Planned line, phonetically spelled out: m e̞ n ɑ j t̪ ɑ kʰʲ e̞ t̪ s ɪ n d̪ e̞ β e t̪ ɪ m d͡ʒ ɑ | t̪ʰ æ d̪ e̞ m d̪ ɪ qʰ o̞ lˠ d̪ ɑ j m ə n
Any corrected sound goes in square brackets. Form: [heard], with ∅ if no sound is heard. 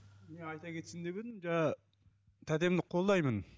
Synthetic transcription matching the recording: m e̞ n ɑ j t̪ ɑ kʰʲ e̞ t̪ s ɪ n d̪ e̞ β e [d̪] ɪ m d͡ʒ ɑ | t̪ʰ æ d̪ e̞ m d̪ ɪ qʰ o̞ lˠ d̪ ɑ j m ə n